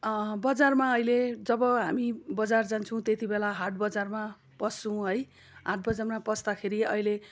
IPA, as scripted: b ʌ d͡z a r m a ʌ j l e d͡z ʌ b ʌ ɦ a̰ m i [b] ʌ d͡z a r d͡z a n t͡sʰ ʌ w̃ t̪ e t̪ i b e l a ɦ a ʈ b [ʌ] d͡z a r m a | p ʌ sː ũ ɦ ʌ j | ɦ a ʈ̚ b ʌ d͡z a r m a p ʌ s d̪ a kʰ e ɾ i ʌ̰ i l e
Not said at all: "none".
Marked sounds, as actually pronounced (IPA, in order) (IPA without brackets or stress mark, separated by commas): b, ʌ